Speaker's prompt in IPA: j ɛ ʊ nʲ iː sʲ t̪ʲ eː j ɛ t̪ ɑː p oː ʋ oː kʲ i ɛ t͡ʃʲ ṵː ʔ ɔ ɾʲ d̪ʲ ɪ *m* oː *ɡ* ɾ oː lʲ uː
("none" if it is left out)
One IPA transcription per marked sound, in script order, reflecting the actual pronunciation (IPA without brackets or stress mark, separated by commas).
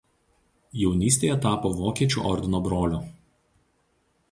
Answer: n, b